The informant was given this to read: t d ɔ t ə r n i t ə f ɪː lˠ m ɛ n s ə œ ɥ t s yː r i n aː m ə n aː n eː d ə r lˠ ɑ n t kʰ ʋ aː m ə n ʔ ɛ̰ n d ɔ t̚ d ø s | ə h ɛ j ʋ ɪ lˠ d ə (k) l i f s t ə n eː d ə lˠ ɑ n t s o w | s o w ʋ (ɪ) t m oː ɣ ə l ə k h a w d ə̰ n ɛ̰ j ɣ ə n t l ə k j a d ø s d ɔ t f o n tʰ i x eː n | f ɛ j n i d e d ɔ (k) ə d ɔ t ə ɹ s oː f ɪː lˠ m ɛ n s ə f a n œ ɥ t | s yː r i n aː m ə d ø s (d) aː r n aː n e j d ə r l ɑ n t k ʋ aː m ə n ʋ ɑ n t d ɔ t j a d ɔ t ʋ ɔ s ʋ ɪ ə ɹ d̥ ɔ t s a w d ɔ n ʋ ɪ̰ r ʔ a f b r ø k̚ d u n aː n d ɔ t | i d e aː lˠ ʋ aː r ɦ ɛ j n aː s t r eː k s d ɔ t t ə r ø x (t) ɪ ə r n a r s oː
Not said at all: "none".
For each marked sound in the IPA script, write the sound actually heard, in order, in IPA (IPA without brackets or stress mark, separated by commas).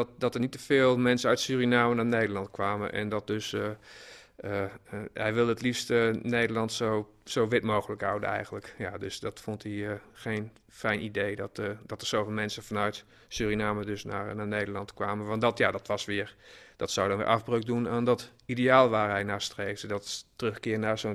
t, ɪ, t, n, k